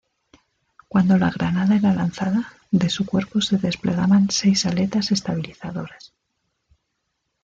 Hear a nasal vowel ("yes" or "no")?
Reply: no